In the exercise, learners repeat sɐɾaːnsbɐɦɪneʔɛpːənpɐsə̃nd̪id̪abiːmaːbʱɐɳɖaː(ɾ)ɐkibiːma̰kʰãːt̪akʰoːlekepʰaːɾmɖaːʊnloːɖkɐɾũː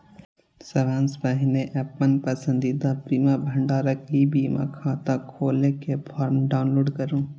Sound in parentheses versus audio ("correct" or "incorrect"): correct